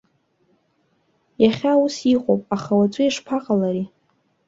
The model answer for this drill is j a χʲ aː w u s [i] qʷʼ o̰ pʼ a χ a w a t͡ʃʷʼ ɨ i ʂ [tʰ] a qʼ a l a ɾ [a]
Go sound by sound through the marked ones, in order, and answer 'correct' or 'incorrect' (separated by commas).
correct, incorrect, incorrect